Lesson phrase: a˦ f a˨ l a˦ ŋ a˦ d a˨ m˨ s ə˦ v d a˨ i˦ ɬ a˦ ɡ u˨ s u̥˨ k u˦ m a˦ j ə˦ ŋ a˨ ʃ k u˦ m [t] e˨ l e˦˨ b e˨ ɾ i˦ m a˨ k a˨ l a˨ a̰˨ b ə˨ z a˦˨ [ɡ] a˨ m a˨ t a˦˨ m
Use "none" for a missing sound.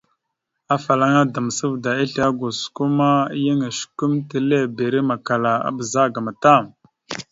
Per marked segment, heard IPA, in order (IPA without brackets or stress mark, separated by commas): t, ɡ